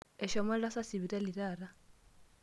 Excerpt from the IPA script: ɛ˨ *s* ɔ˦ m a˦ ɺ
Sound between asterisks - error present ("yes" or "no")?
yes